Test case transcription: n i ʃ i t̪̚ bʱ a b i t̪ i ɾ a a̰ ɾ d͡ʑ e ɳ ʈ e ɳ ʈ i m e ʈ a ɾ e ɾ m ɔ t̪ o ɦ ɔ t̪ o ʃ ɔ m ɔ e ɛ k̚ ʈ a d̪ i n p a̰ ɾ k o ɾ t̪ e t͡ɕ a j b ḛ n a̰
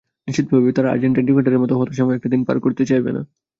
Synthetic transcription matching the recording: n i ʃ i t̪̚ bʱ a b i t̪ a ɾ a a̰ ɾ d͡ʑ e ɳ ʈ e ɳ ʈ i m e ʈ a ɾ e ɾ m ɔ t̪ o ɦ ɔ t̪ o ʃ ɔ m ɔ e ɛ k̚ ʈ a d̪ i n p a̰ ɾ k o ɾ t̪ e t͡ɕ a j b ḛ n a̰